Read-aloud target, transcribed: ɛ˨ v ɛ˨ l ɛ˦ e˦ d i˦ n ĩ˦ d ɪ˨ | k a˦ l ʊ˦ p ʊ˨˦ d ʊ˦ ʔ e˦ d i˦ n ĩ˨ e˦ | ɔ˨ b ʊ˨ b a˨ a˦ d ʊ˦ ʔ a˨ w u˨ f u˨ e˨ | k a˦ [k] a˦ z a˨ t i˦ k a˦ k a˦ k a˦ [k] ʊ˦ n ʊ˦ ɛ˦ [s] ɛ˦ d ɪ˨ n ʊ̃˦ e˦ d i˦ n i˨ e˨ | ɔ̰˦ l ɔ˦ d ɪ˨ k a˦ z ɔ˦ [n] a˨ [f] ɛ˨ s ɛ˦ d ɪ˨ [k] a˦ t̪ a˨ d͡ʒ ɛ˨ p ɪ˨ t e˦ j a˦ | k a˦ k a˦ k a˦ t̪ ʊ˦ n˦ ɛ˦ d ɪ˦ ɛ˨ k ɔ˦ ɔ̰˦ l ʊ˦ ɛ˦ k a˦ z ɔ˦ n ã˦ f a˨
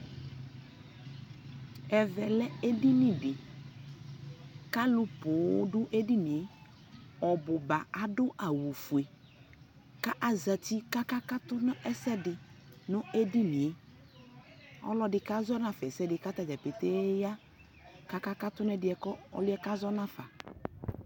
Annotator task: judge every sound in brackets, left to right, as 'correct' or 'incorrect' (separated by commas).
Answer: incorrect, incorrect, correct, correct, correct, correct